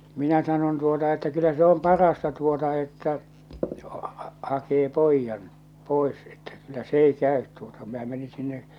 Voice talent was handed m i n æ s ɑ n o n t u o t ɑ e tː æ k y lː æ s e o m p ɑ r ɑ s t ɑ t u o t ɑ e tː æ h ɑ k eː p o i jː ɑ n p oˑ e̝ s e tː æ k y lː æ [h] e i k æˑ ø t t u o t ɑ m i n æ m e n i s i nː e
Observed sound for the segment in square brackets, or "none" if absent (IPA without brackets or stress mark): s